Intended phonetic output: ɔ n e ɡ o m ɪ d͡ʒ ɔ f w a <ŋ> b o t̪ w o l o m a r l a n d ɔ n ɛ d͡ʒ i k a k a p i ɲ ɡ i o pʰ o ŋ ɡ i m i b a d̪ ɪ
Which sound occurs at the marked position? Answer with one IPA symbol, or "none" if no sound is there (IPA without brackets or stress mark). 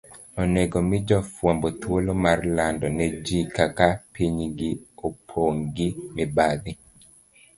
m